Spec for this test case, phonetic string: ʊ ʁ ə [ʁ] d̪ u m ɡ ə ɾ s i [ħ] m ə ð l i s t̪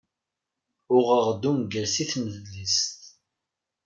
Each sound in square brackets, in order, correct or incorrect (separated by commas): correct, incorrect